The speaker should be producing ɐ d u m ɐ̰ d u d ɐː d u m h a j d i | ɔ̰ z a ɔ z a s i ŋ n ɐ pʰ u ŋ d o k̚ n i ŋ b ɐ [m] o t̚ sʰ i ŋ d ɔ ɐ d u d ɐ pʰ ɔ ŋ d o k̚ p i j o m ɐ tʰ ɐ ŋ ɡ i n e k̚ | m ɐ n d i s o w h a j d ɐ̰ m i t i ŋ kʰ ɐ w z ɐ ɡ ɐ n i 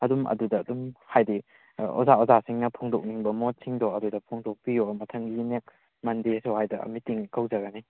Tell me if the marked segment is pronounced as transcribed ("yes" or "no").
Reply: yes